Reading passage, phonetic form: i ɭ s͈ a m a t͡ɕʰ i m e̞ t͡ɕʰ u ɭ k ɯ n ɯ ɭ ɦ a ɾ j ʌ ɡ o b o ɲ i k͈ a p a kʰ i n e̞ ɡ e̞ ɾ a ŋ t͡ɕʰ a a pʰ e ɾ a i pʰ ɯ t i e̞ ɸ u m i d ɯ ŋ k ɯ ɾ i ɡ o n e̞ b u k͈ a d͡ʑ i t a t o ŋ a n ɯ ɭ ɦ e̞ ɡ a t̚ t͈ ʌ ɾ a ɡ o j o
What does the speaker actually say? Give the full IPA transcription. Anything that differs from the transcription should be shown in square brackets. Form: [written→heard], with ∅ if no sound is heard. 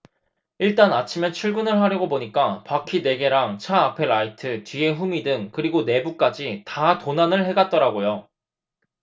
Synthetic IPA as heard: i ɭ [s͈→t͈] a [m→n] a t͡ɕʰ i m e̞ t͡ɕʰ u ɭ [k→ɡ] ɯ n ɯ ɭ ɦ a ɾ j ʌ ɡ o b o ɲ i k͈ a p a kʰ i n e̞ ɡ e̞ ɾ a ŋ t͡ɕʰ a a pʰ e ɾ a i [pʰ→tʰ] ɯ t i e̞ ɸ u m i d ɯ ŋ k ɯ ɾ i ɡ o n e̞ b u k͈ a d͡ʑ i t a t o [ŋ→n] a n ɯ ɭ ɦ e̞ ɡ a t̚ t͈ ʌ ɾ a ɡ o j o